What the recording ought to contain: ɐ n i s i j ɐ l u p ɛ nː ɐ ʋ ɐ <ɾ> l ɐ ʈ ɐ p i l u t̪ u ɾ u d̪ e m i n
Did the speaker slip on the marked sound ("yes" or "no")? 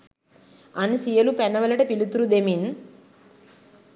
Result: yes